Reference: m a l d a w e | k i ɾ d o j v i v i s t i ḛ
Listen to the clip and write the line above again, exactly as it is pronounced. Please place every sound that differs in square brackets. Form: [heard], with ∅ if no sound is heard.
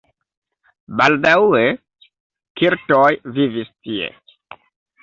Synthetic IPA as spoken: [b] a l d a w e | k i ɾ [t] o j v i v i s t i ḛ